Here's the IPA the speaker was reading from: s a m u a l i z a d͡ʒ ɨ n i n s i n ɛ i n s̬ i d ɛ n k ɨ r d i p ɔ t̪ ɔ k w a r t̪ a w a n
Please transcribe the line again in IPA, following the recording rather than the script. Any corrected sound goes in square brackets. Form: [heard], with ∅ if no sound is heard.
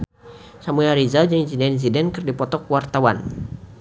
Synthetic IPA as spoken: s a m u a [ɾ] i z a d͡ʒ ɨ [ŋ] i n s i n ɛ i n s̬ i d ɛ n k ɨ r d i p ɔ t̪ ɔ k w a r t̪ a w a n